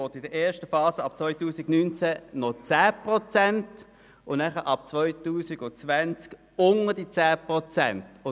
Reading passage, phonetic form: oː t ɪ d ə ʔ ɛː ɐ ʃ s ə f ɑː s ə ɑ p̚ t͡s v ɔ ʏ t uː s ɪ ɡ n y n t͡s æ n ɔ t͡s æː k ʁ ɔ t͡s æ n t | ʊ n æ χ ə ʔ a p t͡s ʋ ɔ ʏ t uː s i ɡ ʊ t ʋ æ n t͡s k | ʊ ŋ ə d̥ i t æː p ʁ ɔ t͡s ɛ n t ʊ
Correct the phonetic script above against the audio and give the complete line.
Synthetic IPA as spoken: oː t ɪ d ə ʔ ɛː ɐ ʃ t ə f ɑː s ə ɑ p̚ t͡s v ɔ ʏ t uː s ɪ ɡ n y n t͡s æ n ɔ t͡s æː p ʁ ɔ t͡s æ n t | ʊ n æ χ ə ʔ ɑ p t͡s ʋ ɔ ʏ t uː s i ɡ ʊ t͡s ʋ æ n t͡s k | ʊ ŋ ə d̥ i t͡s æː p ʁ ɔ t͡s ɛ n t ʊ